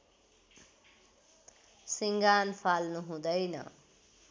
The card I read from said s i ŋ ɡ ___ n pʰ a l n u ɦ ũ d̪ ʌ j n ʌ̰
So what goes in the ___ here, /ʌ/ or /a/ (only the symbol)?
a